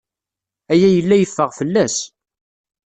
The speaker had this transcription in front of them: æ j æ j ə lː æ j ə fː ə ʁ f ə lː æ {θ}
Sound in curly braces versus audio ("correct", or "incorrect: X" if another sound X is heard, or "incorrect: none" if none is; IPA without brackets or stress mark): incorrect: s